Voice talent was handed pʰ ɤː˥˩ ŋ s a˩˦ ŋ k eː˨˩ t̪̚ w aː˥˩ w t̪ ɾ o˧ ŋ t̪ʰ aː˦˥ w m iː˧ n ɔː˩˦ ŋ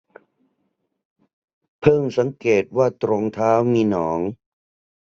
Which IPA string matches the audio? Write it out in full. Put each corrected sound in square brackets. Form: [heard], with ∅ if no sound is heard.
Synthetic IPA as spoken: pʰ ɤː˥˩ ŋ s a˩˦ ŋ k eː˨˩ t̪̚ w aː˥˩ [∅] t̪ ɾ o˧ ŋ t̪ʰ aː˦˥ w m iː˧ n ɔː˩˦ ŋ